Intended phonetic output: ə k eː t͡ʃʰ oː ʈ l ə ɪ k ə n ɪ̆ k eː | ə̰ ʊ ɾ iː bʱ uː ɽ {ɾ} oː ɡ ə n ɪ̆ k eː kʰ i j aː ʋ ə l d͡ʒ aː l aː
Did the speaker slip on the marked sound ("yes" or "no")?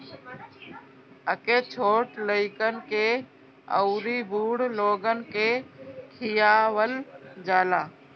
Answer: yes